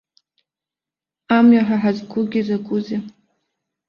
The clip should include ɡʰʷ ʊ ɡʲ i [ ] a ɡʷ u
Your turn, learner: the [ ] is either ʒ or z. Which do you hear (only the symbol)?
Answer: z